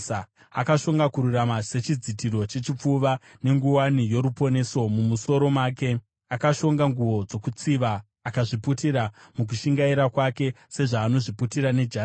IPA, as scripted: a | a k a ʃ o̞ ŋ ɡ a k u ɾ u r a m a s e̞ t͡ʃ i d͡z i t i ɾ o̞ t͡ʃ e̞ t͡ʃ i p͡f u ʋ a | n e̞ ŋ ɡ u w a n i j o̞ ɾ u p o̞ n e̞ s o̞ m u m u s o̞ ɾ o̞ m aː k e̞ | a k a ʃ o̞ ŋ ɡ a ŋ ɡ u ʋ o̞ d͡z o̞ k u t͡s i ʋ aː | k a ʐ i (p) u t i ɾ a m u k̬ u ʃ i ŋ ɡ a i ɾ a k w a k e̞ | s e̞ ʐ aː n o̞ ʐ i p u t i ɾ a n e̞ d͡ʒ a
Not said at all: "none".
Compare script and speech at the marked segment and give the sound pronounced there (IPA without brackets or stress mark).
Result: p